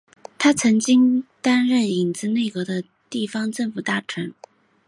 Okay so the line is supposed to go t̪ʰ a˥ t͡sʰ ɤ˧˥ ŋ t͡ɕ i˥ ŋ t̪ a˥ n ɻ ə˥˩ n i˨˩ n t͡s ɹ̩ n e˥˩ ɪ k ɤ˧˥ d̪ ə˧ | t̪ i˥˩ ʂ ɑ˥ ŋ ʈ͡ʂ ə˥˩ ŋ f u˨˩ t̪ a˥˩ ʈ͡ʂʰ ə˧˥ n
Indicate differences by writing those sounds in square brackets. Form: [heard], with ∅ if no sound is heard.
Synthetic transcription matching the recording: t̪ʰ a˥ t͡sʰ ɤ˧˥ ŋ t͡ɕ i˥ ŋ t̪ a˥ n ɻ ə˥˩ n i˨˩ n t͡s ɹ̩ n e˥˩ ɪ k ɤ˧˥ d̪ ə˧ | t̪ i˥˩ [f] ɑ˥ ŋ ʈ͡ʂ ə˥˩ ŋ f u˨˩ t̪ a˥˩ ʈ͡ʂʰ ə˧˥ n